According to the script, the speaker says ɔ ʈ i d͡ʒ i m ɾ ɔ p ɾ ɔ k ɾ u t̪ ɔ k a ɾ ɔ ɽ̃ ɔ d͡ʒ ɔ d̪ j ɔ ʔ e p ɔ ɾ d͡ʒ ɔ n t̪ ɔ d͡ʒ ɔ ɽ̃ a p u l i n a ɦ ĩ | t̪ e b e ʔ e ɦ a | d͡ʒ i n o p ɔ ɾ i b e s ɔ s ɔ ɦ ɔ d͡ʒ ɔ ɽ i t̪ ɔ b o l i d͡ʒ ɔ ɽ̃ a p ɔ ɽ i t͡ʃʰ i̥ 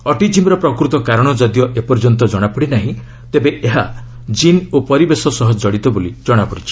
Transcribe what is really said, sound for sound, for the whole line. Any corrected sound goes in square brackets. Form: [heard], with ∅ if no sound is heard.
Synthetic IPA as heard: ɔ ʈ i d͡ʒ i m ɾ ɔ p ɾ ɔ k ɾ u t̪ ɔ k a ɾ ɔ ɽ̃ ɔ d͡ʒ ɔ d̪ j ɔ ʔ e p ɔ ɾ d͡ʒ ɔ n t̪ ɔ d͡ʒ ɔ ɽ̃ a p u [ɽ] i n a ɦ ĩ | t̪ e b e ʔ e ɦ a | d͡ʒ i n o p ɔ ɾ i b e s ɔ s ɔ ɦ ɔ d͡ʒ ɔ ɽ i t̪ ɔ b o l i d͡ʒ ɔ ɽ̃ a p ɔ ɽ i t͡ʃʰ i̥